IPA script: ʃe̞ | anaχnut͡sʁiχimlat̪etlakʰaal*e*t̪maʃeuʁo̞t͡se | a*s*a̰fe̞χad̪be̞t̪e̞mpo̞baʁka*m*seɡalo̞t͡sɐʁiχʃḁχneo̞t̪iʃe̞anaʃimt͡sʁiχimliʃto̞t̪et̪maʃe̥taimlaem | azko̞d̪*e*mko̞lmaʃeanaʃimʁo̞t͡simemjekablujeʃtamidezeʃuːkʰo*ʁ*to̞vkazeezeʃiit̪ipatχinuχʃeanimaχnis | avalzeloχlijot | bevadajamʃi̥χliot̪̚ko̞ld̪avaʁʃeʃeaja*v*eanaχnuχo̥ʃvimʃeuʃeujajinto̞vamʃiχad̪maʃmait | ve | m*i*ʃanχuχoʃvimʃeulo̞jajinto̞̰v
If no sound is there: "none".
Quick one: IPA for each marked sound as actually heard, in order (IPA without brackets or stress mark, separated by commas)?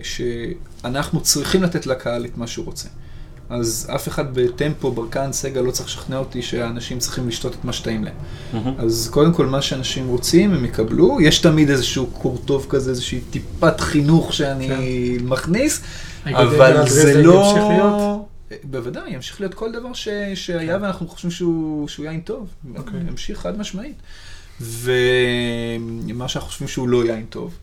e, z, n, e, ʁ, v, a